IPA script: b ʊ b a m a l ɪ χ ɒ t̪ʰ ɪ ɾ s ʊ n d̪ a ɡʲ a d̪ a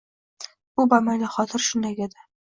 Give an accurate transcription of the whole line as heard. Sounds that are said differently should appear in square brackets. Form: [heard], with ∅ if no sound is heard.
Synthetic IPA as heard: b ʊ b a m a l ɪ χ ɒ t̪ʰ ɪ ɾ [ʃ] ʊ n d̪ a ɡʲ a d̪ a

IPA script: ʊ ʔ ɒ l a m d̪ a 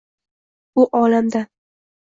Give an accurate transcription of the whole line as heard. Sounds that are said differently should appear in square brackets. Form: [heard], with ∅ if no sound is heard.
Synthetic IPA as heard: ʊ ʔ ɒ l a m d̪ a

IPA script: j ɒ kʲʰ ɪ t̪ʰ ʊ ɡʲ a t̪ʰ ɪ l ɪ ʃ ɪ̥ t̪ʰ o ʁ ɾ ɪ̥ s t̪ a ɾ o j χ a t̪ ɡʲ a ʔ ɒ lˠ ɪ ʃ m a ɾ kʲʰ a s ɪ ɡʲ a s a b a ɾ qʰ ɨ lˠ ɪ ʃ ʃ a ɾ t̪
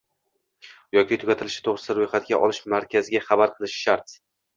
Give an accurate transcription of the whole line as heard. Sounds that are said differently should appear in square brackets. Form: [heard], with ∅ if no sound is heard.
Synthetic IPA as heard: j ɒ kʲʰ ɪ t̪ʰ ʊ ɡʲ a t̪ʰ ɪ l ɪ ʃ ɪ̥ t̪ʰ o ʁ ɾ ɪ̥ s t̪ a ɾ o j χ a t̪ ɡʲ a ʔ ɒ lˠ ɪ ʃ m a ɾ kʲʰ a [z] ɪ ɡʲ a [χ] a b a ɾ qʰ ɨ lˠ ɪ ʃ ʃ a ɾ t̪

